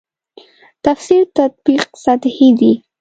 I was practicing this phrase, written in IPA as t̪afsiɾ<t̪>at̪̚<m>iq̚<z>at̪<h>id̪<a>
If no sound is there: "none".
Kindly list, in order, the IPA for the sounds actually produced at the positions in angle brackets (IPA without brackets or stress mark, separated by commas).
t̪, b, s, h, i